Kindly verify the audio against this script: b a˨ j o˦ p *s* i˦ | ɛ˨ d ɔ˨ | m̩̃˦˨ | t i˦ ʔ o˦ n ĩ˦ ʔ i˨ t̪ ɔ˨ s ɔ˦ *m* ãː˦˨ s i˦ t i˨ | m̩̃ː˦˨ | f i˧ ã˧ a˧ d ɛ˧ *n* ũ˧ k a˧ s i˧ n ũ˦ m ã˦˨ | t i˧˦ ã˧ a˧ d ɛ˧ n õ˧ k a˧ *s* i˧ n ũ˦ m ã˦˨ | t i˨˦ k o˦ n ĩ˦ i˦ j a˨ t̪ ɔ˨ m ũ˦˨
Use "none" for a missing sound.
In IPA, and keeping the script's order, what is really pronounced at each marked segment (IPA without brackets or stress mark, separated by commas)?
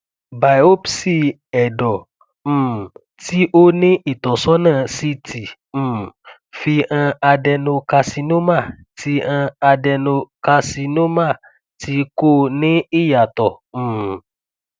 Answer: s, n, n, s